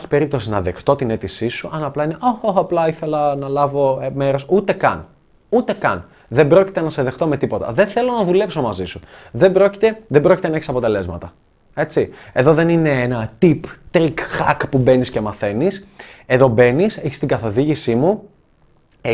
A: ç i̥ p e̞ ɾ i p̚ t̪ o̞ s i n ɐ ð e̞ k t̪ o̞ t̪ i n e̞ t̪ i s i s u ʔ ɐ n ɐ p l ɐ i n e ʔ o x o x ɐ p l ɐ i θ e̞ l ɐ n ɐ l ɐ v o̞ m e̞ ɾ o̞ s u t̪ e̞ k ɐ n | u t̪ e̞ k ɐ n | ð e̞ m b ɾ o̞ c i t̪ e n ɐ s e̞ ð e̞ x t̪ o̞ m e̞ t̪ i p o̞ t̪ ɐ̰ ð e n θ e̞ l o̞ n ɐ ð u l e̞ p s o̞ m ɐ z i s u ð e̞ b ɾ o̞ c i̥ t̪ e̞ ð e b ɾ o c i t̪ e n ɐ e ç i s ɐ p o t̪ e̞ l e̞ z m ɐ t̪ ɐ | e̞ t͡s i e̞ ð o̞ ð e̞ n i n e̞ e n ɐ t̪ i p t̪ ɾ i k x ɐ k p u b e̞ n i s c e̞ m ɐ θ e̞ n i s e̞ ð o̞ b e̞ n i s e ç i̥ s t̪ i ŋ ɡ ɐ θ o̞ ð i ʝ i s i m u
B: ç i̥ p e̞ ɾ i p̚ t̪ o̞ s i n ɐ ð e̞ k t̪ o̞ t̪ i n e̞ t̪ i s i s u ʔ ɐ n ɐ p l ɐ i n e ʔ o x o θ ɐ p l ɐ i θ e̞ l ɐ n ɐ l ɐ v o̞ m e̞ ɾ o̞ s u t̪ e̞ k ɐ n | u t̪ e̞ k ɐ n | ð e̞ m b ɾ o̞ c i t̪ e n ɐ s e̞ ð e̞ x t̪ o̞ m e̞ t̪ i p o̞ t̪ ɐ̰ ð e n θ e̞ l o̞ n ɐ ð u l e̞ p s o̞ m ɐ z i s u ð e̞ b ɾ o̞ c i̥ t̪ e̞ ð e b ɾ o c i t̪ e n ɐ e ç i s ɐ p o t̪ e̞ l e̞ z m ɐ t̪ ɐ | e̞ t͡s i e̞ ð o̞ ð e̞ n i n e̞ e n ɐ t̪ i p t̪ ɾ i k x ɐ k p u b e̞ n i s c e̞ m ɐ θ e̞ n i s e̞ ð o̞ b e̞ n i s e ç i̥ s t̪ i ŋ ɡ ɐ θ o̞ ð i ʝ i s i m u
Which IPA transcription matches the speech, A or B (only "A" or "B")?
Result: A